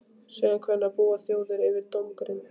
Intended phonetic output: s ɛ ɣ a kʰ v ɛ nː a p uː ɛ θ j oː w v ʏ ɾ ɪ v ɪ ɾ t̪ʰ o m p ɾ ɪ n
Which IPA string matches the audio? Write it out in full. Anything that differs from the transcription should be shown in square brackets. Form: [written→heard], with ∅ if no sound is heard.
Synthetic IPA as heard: s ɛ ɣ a kʰ v ɛ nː a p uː [ɛ→a] θ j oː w [v→ð] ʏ ɾ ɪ v ɪ ɾ [t̪ʰ→t̪] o m [p→k] ɾ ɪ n